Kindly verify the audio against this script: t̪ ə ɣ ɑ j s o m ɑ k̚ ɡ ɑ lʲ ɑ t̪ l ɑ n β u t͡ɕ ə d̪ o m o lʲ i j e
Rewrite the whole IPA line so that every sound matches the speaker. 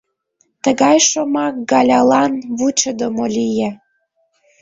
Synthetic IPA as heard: t̪ ə ɣ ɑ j ʃ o m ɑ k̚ ɡ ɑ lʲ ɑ l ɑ n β u t͡ɕ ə d̪ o m o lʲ i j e

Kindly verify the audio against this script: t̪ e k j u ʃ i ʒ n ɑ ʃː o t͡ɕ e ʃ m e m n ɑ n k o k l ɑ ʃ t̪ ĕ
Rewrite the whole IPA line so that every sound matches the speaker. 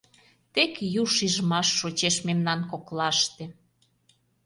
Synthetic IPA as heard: t̪ e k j u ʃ i ʒ m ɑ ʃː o t͡ɕ e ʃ m e m n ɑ n k o k l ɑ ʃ t̪ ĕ

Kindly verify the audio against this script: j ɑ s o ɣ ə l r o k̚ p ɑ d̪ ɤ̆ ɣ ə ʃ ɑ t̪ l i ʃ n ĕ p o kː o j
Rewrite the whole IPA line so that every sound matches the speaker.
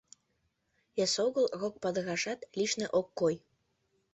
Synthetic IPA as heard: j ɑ s o ɣ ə l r o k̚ p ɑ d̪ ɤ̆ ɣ ɑ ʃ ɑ t̪ l i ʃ n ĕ ʔ o kː o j

